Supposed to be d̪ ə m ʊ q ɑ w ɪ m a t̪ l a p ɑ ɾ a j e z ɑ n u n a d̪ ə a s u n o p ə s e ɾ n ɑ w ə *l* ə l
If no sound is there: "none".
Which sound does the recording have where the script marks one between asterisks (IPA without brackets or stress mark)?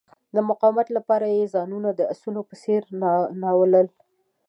l